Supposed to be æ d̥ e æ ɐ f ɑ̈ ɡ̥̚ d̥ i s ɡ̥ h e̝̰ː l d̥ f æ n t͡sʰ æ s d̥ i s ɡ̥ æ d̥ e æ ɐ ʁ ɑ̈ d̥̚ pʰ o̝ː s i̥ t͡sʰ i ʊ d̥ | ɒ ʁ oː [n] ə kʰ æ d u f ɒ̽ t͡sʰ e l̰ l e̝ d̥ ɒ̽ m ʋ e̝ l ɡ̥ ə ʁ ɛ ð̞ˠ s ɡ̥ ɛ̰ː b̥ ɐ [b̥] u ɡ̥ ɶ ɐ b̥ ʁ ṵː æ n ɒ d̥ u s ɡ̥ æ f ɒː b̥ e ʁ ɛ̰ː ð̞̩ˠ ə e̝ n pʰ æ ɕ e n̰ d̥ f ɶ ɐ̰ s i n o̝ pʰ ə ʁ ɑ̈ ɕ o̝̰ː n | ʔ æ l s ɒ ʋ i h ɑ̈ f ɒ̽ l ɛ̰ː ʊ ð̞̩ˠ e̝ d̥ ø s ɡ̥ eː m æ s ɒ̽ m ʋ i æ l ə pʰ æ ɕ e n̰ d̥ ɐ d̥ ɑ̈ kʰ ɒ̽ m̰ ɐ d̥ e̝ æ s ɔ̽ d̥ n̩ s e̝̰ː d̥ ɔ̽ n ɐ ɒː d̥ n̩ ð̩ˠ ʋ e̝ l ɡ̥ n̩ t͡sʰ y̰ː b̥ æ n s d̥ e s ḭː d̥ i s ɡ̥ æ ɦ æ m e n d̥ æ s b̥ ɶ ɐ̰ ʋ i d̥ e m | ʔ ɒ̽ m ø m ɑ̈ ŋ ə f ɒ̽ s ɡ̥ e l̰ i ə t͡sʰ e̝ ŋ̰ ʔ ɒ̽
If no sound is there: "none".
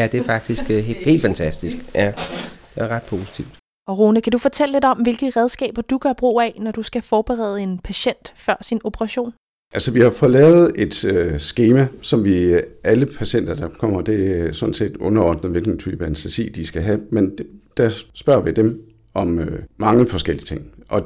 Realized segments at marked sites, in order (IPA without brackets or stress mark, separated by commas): n, d̥